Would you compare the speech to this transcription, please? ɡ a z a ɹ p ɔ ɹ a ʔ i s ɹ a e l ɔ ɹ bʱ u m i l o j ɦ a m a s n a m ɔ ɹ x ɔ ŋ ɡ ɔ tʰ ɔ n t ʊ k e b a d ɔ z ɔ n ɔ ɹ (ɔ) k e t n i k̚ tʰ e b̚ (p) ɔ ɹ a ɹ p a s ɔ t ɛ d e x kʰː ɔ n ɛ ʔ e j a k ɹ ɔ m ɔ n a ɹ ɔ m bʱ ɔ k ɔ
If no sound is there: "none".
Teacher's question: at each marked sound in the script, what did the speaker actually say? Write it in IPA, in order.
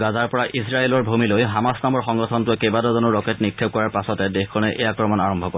ɔ, k

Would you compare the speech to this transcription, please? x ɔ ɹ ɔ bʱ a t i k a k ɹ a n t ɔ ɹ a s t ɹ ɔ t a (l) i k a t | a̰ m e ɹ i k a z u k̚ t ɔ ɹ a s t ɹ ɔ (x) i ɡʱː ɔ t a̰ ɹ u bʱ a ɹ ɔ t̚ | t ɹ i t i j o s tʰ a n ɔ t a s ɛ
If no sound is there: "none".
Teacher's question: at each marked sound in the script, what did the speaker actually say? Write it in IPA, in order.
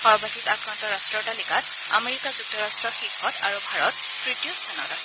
l, x

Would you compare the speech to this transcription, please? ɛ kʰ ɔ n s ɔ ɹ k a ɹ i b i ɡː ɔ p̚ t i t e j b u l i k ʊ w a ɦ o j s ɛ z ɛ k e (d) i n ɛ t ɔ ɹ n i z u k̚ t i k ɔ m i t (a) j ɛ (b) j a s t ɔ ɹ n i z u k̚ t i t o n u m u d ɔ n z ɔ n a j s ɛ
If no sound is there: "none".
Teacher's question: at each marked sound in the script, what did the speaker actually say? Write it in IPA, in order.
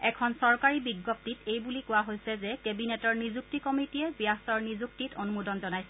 b, i, b

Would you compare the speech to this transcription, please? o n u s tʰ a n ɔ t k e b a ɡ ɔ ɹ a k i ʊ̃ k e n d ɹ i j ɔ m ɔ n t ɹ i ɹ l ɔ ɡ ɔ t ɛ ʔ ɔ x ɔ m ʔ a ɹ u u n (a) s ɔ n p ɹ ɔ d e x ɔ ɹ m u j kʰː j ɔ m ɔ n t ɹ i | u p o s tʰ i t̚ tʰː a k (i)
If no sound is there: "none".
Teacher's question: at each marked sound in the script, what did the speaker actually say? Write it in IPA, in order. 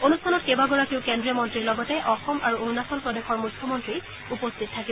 a, i

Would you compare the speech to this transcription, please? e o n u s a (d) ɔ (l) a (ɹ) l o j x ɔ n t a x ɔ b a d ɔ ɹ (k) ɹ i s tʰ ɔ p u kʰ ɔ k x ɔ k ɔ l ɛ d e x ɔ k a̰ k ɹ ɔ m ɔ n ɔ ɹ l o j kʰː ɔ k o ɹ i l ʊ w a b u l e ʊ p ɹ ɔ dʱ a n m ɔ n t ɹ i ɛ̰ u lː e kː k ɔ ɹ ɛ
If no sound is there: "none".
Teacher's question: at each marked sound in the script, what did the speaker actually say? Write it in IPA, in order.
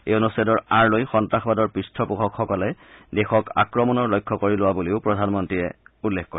d, ɹ, ɹ, p

